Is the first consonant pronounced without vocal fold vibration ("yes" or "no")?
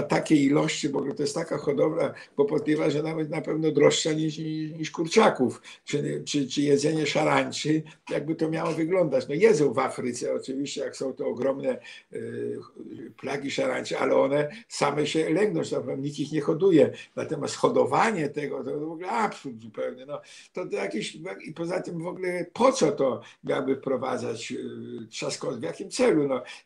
yes